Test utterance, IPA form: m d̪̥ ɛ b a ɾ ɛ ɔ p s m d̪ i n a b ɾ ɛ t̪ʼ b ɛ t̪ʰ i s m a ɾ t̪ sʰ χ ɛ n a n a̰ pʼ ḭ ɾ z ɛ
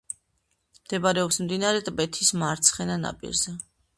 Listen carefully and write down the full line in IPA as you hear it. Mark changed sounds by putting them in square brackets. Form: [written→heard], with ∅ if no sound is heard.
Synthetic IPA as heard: m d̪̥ ɛ b a ɾ ɛ ɔ p s m d̪ i n a [b→∅] ɾ ɛ t̪ʼ b ɛ t̪ʰ i s m a ɾ t̪ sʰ χ ɛ n a n a̰ pʼ ḭ ɾ z ɛ